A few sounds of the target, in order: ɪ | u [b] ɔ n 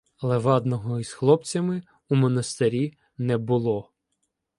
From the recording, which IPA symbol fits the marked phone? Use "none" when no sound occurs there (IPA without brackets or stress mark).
m